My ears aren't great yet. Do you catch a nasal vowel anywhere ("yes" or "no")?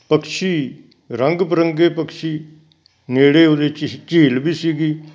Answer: no